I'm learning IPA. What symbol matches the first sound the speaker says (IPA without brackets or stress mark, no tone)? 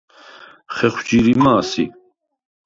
χ